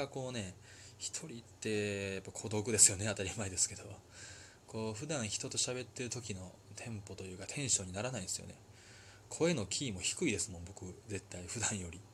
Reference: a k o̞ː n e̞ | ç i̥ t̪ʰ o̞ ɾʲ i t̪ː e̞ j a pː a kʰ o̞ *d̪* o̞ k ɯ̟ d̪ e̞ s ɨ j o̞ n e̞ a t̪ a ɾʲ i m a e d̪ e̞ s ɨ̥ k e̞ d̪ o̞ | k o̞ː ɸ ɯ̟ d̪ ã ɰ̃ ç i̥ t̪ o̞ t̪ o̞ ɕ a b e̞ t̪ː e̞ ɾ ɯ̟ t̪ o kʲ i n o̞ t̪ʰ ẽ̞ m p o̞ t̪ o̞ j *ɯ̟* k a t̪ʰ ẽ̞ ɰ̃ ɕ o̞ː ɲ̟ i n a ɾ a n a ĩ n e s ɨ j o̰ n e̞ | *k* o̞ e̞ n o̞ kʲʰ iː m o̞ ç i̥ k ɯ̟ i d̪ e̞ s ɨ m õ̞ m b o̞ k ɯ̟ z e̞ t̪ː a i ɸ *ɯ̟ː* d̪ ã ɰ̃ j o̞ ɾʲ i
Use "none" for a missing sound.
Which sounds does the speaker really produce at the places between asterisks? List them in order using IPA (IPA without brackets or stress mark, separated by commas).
d̪, ɯ̟ː, kʰ, ɯ̟